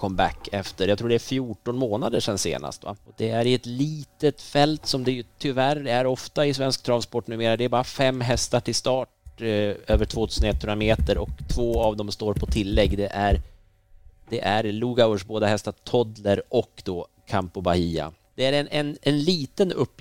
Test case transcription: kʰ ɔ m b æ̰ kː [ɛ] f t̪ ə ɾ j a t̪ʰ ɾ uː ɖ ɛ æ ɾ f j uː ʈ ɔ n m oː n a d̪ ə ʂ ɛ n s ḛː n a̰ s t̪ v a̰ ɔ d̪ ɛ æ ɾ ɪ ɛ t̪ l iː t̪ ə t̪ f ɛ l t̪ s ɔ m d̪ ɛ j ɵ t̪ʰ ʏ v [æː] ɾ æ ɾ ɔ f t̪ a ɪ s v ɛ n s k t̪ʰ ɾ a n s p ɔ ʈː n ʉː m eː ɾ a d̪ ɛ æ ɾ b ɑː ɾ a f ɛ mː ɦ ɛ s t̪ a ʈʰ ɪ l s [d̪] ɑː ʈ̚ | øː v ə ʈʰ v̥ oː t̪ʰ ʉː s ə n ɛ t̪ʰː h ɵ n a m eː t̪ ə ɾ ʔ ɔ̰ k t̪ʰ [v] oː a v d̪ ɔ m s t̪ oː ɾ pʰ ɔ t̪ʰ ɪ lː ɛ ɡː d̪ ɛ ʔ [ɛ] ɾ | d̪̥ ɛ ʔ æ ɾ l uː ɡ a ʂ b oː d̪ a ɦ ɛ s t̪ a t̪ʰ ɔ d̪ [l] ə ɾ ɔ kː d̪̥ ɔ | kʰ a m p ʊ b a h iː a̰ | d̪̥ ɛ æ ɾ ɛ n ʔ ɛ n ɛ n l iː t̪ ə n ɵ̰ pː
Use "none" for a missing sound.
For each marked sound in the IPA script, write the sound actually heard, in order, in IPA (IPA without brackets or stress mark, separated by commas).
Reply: ɛ, æ, t̪, v, æ, l